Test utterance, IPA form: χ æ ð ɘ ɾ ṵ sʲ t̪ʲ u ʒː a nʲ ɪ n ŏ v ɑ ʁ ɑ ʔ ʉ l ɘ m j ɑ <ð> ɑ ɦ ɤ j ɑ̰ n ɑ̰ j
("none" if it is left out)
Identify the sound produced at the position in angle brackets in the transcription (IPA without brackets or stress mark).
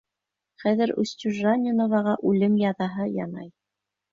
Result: ð